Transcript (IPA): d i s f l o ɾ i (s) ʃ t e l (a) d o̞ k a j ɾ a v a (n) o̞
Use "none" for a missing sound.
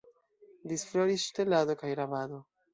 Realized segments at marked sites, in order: s, a, d

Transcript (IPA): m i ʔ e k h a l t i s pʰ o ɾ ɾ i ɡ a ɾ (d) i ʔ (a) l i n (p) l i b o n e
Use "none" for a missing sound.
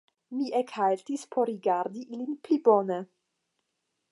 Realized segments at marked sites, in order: d, i, p

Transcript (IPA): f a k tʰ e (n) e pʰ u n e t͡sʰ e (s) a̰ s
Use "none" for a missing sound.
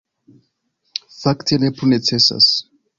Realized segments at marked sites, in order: n, s

